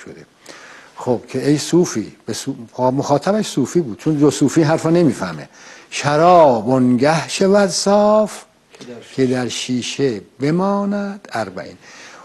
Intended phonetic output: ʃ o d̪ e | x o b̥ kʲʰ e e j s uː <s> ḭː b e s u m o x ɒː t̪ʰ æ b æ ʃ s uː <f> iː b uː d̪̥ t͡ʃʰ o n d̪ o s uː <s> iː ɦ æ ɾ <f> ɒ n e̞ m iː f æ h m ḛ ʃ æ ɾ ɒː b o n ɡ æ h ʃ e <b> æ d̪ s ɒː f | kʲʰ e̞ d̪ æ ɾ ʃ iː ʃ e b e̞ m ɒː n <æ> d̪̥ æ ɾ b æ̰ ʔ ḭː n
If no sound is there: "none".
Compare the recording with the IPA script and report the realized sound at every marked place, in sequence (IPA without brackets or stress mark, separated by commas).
f, f, f, f, v, æ